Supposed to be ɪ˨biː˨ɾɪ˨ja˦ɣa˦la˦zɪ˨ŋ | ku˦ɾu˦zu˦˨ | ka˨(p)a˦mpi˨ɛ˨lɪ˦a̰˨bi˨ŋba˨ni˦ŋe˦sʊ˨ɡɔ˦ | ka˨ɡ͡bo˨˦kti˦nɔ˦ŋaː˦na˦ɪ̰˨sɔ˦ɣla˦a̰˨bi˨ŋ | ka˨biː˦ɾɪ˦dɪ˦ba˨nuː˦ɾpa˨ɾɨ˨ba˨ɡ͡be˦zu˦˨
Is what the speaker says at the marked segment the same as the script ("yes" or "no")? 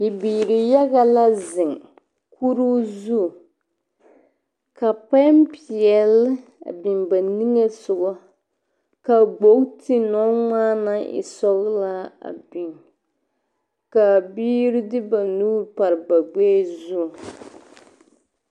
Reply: yes